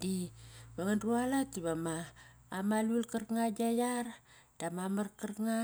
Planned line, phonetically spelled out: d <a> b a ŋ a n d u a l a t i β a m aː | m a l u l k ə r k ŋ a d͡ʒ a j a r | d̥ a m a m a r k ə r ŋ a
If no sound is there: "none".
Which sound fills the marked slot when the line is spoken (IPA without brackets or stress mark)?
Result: i